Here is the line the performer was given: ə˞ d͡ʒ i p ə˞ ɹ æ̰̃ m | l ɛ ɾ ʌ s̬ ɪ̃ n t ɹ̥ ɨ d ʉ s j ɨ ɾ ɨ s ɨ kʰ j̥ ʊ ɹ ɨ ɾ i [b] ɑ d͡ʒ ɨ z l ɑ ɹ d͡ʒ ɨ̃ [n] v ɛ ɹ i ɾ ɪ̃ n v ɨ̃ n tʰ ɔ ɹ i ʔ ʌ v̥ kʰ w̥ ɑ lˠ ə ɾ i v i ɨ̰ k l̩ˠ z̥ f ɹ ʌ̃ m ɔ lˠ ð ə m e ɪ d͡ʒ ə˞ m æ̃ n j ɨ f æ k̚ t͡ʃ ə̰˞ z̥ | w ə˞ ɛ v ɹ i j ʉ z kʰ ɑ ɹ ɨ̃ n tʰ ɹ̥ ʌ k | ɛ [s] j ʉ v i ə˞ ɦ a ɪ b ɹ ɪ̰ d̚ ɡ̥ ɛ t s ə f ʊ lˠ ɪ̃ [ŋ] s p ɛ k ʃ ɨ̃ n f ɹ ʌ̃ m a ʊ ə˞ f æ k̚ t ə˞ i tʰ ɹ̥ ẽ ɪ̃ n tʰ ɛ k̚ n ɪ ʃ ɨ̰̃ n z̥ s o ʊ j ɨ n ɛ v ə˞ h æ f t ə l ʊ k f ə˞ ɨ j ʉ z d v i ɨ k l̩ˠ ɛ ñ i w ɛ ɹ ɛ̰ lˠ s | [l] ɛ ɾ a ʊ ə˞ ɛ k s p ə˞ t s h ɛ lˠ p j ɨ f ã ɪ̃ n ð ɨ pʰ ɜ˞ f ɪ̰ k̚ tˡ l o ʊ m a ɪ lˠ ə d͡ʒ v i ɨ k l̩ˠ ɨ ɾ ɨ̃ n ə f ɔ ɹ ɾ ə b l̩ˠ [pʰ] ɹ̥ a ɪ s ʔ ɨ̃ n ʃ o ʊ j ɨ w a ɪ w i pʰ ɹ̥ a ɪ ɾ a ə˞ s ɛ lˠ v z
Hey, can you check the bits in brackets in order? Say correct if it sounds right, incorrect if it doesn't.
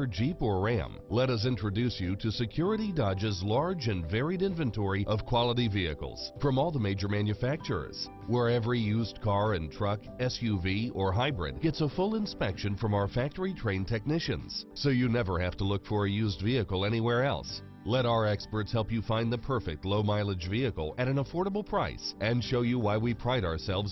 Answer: incorrect: d, correct, correct, incorrect: n, correct, correct

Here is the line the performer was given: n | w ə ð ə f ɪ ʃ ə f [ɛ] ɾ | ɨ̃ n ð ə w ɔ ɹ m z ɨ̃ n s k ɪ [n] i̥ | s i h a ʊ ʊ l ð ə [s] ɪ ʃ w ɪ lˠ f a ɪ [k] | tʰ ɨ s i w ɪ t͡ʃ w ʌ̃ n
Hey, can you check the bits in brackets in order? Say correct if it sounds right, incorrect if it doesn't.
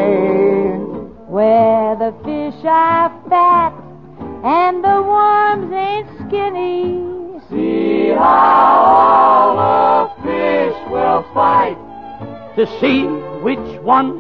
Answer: incorrect: æ, correct, incorrect: f, incorrect: t

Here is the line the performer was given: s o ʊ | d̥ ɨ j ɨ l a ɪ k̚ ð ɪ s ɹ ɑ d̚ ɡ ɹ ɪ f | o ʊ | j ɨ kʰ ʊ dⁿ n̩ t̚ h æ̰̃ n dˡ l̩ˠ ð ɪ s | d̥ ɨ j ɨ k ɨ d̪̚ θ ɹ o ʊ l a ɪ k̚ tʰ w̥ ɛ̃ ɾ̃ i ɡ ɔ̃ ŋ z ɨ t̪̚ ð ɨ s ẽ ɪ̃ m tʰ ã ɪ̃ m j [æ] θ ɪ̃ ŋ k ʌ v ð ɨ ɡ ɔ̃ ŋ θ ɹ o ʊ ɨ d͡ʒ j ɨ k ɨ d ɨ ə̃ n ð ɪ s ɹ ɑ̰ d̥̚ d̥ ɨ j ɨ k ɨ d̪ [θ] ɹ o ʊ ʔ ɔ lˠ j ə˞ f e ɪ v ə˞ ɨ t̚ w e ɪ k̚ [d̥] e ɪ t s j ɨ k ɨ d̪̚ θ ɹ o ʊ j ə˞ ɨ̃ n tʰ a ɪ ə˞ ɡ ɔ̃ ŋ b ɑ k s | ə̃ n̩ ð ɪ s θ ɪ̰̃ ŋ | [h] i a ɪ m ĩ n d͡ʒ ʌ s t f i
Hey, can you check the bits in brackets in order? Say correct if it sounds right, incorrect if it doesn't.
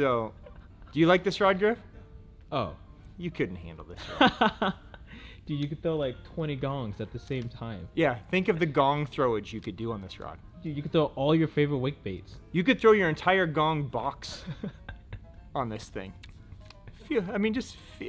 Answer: correct, correct, incorrect: b̥, incorrect: f

